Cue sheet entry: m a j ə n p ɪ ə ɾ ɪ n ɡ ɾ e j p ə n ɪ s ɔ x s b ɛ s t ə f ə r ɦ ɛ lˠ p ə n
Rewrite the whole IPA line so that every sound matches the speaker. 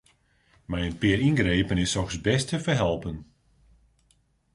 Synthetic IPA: m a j ə n p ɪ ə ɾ i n ɡ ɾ e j p ə n ɪ s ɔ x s b ɛ s t ə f ə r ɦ ɛ lˠ p ə n